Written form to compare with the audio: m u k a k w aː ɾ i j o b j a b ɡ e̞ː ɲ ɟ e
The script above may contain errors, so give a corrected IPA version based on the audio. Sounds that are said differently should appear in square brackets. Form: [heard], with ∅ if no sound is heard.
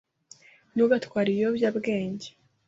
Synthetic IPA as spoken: [n] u [ɡ] a [t] w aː ɾ i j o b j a b ɡ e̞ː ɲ ɟ e